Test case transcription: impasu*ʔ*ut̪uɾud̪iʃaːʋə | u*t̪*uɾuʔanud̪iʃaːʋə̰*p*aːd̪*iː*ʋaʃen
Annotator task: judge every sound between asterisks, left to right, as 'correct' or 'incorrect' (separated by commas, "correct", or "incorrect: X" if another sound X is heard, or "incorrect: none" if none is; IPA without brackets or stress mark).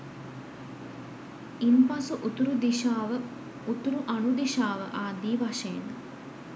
correct, correct, incorrect: ʔ, correct